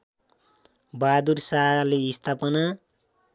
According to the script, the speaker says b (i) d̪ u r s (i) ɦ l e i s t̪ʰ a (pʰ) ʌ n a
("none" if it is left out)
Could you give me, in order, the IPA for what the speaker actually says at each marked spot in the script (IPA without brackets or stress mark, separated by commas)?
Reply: a, a, p